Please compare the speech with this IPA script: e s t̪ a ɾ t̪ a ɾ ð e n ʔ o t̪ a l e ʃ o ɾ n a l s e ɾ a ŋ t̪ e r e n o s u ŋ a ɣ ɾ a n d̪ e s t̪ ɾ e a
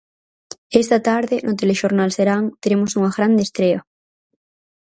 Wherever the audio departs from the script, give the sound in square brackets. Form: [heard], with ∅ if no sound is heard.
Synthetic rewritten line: e s t̪ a [∅] t̪ a ɾ ð e n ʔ o t̪ [e] l e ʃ o ɾ n a l s e ɾ a ŋ t̪ e [ɾ] e [m] o s u ŋ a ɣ ɾ a n d̪ e s t̪ ɾ e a